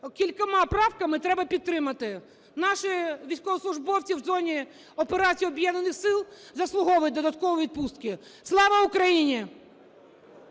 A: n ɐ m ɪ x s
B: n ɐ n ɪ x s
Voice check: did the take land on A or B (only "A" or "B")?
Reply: B